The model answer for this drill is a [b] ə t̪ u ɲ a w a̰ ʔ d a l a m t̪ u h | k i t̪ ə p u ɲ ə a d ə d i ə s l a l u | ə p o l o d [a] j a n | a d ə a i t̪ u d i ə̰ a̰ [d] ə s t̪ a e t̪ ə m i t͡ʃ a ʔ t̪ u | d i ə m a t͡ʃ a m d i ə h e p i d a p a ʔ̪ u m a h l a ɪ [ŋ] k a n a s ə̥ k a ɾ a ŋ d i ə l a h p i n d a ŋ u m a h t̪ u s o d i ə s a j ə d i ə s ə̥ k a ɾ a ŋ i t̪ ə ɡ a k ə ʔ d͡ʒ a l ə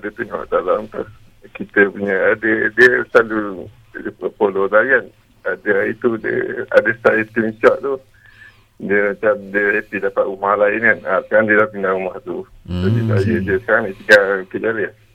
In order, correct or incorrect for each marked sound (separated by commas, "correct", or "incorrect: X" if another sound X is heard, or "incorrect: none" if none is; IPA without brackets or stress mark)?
incorrect: d, correct, correct, incorrect: n